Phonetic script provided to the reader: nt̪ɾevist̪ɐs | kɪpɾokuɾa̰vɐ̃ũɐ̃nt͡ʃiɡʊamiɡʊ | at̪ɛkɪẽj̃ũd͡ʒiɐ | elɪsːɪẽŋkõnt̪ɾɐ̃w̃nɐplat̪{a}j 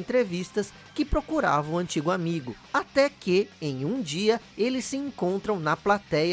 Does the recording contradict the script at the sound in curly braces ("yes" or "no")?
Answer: yes